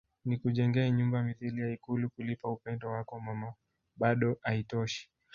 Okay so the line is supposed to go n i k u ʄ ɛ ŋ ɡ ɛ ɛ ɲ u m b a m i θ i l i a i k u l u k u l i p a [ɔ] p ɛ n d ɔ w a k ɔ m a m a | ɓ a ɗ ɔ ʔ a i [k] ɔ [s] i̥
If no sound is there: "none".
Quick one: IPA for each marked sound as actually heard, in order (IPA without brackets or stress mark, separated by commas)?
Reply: u, t, ʃ